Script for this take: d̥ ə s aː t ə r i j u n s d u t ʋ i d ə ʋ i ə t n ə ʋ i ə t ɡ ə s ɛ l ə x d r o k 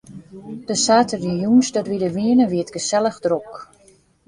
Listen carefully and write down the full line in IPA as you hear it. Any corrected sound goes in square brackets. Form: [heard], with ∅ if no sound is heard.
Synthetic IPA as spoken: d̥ ə s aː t ə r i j u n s d [ɔ] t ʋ i d ə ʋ i ə [∅] n ə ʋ i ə t ɡ ə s ɛ l ə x d r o k